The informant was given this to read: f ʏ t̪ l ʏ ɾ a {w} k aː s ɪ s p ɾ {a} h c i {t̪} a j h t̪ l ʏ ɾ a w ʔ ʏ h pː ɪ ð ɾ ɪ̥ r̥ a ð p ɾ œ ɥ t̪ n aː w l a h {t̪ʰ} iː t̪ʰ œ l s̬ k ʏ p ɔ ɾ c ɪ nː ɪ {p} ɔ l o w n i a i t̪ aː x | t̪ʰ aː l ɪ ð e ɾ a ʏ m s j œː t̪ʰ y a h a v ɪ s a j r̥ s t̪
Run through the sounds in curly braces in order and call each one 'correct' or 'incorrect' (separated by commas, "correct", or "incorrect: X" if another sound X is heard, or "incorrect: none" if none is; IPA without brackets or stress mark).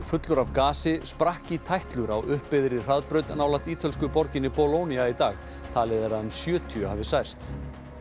incorrect: v, correct, incorrect: t̪ʰ, incorrect: t̪, correct